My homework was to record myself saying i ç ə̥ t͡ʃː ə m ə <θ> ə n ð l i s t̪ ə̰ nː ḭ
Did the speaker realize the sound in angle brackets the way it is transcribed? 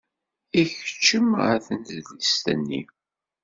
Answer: yes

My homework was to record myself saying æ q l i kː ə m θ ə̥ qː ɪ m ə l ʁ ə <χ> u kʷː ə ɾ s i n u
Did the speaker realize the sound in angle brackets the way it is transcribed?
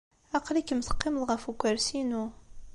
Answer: no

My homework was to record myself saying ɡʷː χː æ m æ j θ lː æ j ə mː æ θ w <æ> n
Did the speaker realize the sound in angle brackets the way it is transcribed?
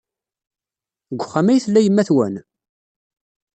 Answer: yes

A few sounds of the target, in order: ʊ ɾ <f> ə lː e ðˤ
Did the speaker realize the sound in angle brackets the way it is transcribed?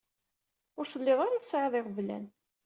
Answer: no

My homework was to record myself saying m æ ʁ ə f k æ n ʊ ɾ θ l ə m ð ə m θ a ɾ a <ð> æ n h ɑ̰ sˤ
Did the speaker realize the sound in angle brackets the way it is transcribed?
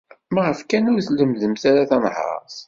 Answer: no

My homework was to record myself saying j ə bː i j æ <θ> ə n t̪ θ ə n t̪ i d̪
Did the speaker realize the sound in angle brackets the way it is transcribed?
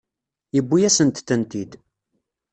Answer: no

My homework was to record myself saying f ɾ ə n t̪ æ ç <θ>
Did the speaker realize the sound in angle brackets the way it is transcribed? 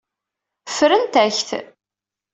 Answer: yes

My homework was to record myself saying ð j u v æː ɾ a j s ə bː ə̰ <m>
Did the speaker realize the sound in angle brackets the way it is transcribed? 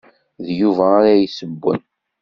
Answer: no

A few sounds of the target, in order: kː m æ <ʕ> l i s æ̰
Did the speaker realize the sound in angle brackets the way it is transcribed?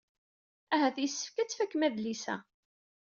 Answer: no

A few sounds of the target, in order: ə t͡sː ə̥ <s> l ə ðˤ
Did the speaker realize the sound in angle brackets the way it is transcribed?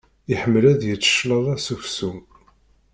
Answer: no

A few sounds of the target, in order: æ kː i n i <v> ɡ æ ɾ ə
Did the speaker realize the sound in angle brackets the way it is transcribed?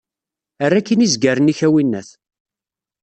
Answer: no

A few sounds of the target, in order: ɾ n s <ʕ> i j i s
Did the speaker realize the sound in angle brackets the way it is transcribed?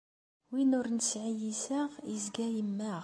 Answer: yes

